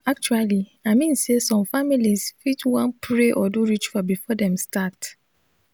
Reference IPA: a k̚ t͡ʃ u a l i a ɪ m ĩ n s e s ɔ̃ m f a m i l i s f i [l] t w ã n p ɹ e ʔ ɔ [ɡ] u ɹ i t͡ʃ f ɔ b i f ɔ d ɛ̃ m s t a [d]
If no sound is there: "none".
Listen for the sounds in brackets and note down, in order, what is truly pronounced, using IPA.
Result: none, d, t

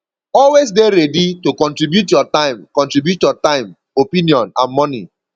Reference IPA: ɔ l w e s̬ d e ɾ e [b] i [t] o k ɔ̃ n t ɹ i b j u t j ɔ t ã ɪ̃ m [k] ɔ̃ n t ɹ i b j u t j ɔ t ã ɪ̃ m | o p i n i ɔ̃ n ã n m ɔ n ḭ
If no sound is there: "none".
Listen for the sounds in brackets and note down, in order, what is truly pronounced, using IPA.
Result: d, t, k

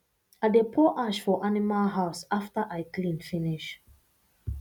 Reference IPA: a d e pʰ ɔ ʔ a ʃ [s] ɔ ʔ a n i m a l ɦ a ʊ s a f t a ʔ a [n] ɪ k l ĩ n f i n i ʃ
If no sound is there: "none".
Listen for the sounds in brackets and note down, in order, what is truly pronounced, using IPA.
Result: f, none

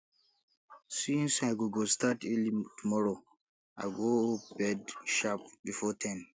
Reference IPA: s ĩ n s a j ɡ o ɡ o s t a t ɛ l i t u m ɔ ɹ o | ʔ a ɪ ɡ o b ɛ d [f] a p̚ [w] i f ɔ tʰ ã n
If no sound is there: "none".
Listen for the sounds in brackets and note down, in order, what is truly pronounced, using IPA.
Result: ʃ, b

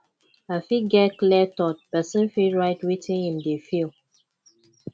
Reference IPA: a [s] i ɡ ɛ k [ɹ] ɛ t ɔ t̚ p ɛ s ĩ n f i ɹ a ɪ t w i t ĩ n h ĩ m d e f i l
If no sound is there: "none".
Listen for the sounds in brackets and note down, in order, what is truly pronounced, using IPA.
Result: f, l

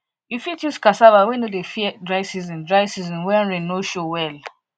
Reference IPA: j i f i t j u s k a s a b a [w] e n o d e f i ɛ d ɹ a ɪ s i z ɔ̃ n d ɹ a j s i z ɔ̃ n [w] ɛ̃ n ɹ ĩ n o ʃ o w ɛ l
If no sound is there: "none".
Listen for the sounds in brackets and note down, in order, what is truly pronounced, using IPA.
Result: w, w

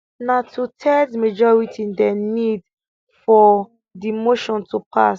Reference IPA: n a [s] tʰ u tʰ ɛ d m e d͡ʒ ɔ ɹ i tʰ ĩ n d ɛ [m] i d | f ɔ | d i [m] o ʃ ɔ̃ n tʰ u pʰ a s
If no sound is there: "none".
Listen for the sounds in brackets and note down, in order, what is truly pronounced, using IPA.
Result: none, n, m

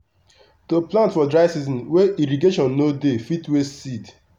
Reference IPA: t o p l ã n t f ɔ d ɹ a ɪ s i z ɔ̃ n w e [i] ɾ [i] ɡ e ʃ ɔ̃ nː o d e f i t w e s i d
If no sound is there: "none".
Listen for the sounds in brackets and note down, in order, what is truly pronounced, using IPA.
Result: i, i

